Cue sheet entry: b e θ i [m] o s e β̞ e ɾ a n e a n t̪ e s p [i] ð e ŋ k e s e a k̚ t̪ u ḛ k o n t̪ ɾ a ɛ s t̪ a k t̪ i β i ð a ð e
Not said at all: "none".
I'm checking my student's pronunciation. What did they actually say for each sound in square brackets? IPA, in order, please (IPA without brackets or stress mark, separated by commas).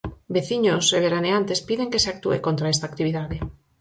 ɲ, i